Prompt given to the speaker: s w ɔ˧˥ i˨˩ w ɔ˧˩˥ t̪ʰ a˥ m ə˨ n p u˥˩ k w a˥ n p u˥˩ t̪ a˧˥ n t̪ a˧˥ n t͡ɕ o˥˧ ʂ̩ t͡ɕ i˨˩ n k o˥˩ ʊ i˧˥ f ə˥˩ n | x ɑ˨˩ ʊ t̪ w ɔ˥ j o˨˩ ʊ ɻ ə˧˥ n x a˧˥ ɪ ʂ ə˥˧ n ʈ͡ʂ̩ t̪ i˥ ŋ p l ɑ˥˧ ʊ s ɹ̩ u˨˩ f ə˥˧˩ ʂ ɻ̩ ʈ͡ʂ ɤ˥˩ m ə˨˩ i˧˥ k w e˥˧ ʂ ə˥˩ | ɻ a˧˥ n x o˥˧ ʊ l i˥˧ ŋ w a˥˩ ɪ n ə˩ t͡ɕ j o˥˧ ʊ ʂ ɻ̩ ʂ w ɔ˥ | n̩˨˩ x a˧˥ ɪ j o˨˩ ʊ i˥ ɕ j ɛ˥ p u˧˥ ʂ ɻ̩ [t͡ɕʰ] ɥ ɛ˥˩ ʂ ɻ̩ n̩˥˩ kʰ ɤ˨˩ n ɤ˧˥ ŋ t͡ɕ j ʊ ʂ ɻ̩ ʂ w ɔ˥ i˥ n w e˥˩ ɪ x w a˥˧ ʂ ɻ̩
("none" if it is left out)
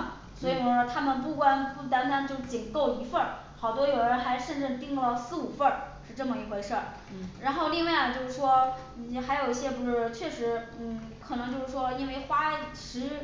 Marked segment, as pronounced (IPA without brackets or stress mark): t͡ɕʰ